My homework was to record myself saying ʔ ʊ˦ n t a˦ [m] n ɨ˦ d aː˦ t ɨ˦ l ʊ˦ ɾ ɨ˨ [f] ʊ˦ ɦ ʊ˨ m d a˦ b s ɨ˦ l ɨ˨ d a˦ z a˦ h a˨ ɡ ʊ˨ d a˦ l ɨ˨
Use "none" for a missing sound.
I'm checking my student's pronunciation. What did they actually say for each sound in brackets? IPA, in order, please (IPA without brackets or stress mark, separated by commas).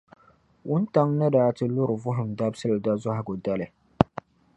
ŋ, v